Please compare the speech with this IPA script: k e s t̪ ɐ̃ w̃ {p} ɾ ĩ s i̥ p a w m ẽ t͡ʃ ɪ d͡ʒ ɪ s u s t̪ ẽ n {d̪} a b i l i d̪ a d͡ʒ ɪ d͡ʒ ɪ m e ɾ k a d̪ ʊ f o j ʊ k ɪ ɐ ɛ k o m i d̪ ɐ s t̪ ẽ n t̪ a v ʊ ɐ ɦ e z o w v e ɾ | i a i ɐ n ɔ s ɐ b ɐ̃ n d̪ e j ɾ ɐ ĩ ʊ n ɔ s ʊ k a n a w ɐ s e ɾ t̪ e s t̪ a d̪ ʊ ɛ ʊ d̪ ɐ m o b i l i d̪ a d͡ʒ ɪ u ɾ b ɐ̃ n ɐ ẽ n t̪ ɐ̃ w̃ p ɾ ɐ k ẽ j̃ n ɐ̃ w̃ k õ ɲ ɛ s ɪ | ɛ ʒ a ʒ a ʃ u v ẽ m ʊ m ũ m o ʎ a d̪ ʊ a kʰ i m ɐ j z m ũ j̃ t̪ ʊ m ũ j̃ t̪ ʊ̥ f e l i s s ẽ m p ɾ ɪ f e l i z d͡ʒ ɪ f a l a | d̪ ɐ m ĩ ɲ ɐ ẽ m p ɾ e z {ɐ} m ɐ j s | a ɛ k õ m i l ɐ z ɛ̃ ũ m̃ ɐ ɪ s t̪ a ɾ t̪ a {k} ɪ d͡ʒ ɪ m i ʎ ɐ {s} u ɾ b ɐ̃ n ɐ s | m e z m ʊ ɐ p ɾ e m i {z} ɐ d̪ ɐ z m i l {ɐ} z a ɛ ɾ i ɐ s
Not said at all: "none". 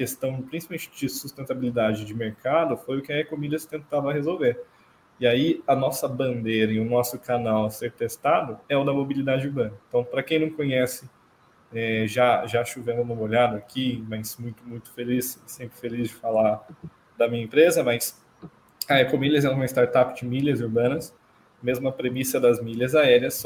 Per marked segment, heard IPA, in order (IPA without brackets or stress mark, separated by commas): p, t̪, ɐ, p, z, s, ɐ